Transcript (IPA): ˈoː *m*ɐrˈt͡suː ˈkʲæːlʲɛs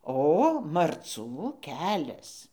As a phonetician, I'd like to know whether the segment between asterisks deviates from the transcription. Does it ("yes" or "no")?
no